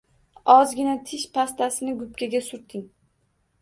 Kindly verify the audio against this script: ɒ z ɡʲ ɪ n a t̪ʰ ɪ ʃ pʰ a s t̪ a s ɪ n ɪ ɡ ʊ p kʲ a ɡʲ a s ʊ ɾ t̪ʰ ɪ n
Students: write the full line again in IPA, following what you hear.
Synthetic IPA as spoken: ɒ z ɡʲ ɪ n a t̪ʰ ɪ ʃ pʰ a s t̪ a s ɪ n ɪ ɡ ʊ p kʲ a ɡʲ a s ʊ ɾ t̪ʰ ɪ ŋ